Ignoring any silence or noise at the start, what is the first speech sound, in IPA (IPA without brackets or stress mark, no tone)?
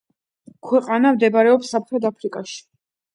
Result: kʰ